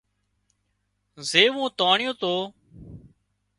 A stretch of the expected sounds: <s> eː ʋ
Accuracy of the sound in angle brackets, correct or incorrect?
incorrect